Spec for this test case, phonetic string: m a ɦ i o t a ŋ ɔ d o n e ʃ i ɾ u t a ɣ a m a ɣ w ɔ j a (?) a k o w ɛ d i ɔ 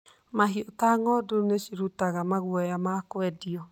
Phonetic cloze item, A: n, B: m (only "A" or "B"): B